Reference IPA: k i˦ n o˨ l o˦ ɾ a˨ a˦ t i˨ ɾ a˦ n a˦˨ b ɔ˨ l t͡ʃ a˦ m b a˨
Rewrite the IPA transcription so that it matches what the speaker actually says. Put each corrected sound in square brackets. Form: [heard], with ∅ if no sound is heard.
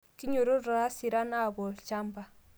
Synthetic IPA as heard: k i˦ [ɲ] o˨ [ɾ] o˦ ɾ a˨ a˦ [s] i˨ ɾ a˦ n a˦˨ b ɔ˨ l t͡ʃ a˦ m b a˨